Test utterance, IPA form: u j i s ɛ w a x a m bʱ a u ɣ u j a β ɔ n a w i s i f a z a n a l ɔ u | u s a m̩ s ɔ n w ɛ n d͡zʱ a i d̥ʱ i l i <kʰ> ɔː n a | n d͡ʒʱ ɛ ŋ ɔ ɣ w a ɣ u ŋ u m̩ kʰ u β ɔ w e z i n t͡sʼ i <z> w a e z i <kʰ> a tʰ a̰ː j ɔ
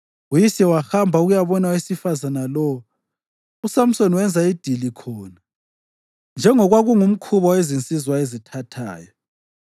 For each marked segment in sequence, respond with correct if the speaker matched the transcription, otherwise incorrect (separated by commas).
correct, correct, incorrect